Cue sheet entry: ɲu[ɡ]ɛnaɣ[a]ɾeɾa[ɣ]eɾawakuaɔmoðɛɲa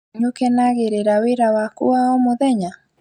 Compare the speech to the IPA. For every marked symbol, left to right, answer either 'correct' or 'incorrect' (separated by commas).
incorrect, incorrect, incorrect